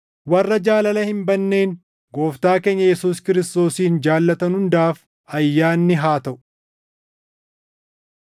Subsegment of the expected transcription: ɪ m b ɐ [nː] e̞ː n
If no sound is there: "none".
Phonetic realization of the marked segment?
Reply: nː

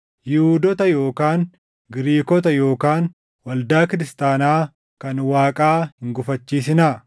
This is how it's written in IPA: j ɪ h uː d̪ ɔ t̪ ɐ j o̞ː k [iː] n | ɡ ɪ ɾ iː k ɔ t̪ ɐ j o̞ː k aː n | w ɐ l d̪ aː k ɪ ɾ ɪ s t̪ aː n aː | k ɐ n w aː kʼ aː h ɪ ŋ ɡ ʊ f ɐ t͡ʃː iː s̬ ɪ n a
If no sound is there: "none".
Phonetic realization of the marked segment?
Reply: aː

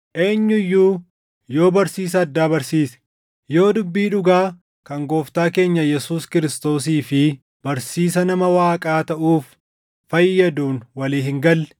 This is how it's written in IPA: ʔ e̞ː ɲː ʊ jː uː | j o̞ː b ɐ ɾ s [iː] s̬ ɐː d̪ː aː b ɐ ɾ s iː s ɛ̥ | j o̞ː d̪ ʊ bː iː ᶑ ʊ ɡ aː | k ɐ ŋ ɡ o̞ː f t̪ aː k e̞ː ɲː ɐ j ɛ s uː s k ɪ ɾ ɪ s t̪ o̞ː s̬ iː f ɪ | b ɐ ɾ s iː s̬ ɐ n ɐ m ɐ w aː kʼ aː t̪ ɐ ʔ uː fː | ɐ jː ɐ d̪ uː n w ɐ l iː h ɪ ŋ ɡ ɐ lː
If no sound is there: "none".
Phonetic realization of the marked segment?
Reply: iː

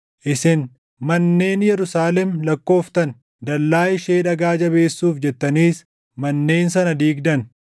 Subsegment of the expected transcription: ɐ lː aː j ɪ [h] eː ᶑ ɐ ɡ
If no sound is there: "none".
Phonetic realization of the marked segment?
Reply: ʃ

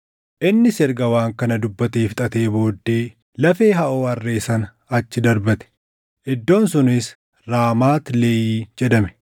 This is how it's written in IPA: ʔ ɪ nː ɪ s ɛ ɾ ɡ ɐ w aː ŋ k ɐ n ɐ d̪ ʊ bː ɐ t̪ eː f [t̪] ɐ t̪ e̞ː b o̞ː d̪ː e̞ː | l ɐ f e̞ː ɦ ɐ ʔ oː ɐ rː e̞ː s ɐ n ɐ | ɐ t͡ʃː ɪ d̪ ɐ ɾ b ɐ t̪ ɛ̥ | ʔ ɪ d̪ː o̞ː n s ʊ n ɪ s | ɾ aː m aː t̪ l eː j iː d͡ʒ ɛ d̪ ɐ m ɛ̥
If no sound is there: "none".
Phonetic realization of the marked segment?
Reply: t̪ʼ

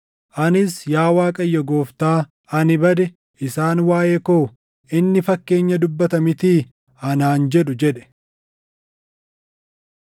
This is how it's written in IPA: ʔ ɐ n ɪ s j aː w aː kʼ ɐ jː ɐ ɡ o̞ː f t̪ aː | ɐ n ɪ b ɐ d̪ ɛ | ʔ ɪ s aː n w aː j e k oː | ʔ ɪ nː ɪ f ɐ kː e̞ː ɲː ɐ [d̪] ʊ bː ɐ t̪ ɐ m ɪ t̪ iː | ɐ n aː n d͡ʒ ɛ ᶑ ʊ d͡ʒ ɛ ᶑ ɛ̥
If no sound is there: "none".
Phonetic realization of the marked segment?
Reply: d̪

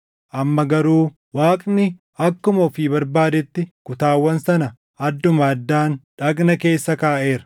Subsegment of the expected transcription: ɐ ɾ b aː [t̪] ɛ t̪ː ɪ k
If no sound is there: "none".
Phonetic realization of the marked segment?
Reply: d̪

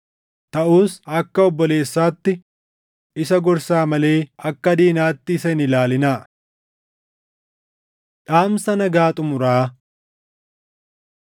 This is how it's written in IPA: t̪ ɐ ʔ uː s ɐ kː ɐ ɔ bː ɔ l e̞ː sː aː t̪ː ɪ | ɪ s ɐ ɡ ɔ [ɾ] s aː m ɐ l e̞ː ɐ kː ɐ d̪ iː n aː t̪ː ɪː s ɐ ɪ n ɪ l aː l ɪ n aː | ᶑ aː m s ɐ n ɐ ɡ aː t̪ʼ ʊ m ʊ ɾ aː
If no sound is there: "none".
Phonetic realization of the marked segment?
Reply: ɾ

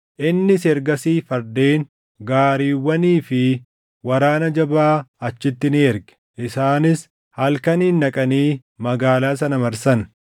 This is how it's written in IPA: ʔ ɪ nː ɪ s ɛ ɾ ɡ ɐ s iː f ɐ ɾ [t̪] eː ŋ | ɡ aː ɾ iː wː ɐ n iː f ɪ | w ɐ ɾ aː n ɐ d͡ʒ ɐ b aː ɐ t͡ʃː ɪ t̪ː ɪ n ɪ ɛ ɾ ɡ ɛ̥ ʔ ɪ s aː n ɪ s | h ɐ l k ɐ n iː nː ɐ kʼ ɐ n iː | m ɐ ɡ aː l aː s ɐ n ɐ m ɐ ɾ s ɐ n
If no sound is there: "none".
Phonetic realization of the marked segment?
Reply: d̪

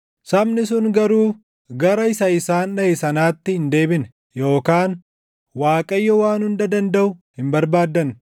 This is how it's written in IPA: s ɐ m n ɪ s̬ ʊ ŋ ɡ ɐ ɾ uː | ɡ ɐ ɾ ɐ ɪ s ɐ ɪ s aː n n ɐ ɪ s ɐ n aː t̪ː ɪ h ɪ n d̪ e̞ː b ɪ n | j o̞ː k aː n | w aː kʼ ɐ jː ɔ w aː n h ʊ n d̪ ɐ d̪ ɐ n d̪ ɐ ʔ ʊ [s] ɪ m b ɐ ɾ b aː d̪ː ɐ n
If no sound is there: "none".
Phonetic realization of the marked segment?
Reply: h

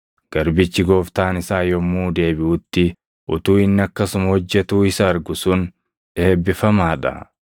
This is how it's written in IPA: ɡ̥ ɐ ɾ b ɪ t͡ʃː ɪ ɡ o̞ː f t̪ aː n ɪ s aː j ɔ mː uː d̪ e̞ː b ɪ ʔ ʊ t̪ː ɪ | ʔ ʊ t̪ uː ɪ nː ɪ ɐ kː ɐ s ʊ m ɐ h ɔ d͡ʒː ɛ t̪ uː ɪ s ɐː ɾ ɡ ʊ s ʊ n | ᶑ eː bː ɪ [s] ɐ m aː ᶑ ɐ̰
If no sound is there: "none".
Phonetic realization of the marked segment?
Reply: f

